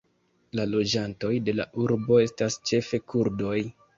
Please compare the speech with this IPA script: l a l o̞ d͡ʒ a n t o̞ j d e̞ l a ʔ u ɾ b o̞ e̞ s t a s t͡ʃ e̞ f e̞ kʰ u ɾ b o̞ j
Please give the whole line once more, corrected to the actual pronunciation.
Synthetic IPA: l a l o̞ d͡ʒ a n t o̞ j d e̞ l a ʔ u ɾ b o̞ e̞ s t a s t͡ʃ e̞ f e̞ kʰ u ɾ d o̞ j